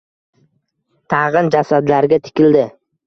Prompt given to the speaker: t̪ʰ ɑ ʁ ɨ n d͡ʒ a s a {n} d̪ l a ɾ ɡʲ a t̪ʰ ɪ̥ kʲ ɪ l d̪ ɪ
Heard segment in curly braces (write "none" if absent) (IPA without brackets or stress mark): none